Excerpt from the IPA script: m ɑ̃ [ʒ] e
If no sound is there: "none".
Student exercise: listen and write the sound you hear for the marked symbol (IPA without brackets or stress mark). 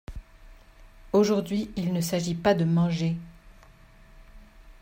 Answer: ʒ